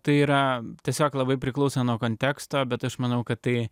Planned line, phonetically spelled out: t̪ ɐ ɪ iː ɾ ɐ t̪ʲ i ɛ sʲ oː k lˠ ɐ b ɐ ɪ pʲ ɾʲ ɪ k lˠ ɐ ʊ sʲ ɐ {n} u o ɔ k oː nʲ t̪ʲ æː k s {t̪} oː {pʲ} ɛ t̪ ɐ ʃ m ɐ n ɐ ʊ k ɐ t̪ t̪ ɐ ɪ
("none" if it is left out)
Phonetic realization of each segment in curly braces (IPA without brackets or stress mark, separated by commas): n, t̪, bʲ